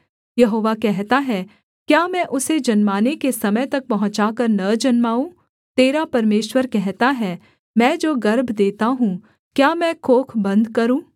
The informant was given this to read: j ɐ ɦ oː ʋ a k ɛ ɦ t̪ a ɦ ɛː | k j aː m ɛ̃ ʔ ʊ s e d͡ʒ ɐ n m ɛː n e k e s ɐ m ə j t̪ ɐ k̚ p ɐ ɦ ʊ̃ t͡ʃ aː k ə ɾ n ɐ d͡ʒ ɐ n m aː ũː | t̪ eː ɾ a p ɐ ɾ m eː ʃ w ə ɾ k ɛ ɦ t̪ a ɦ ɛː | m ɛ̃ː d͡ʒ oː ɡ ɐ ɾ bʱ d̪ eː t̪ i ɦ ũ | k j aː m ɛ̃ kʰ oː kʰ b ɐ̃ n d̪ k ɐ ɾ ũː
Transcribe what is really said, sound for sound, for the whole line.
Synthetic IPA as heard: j ɐ ɦ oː ʋ a k ɛ ɦ t̪ a ɦ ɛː | k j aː m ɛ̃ ʔ ʊ s e d͡ʒ ɐ n m aː n e k e s ɐ m ə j t̪ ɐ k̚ p ɐ ɦ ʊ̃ t͡ʃ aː k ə ɾ n ɐ d͡ʒ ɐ n m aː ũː | t̪ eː ɾ a p ɐ ɾ m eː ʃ w ə ɾ k ɛ ɦ t̪ a ɦ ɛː | m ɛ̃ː d͡ʒ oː ɡ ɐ ɾ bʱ d̪ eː t̪ a ɦ ũ | k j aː m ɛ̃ kʰ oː kʰ b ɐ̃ n d̪ k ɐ ɾ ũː